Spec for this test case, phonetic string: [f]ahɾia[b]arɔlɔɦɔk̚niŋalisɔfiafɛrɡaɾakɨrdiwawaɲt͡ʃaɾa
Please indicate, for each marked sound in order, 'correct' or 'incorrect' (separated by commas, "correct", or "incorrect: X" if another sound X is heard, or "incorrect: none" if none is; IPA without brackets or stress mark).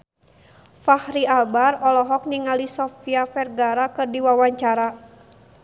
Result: correct, correct